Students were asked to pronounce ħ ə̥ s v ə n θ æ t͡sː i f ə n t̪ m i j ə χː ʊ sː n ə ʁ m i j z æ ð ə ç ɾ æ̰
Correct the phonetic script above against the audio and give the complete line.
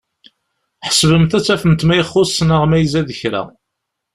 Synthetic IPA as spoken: ħ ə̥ s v ə m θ æ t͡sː æ f ə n t̪ m æ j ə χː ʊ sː n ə ʁ m æ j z æ ð ə ç ɾ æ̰